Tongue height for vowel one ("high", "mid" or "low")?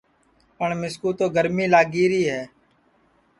mid